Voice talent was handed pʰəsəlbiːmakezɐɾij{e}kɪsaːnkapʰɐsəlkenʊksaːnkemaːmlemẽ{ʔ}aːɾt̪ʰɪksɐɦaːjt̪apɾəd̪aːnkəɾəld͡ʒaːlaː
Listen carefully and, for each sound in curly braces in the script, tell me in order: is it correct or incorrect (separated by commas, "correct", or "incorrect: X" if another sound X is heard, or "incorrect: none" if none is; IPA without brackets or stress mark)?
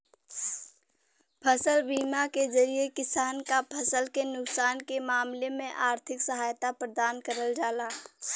correct, correct